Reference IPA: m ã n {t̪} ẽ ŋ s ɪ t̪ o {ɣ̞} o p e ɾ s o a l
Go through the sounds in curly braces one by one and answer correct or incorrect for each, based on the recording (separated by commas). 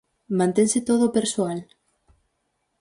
correct, incorrect